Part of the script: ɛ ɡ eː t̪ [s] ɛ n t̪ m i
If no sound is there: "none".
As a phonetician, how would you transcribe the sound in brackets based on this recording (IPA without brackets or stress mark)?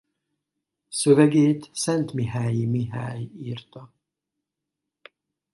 s